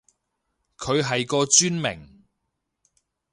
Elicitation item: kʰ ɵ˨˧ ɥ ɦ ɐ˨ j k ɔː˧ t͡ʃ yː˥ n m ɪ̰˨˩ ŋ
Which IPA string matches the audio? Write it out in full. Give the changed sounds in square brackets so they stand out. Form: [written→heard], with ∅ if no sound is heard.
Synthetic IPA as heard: kʰ ɵ˨˧ ɥ ɦ ɐ˨ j k ɔː˧ t͡ʃ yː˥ n m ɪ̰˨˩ ŋ